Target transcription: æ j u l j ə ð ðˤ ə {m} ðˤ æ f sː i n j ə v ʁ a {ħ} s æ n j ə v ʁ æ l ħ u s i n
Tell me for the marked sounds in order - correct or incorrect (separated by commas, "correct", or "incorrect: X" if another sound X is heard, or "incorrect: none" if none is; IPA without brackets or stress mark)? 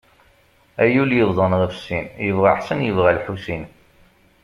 incorrect: n, correct